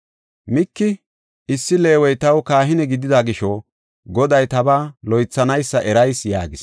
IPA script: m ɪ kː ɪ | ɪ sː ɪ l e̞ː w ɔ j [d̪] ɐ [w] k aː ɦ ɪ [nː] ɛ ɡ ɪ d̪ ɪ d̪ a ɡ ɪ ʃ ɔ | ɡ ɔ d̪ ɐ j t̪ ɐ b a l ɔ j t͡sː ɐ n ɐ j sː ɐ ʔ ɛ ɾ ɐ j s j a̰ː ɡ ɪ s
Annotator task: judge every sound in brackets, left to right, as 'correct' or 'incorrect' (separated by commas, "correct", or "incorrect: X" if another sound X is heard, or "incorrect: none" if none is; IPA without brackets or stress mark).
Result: incorrect: t̪, correct, incorrect: n